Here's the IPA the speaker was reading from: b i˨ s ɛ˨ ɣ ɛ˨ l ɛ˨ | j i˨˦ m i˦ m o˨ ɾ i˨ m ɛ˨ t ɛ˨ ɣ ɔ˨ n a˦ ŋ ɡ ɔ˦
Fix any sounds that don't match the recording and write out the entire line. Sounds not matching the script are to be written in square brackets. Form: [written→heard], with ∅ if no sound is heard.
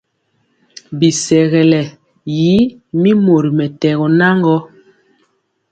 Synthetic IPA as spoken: b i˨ s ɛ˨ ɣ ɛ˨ l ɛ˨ | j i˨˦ m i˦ m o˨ ɾ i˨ m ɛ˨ t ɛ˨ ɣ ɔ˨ n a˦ ŋ ɡ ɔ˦